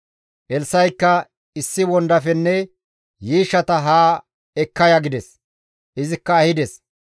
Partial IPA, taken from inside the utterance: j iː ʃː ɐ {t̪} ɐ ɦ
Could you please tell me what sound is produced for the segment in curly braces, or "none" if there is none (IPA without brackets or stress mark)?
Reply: t̪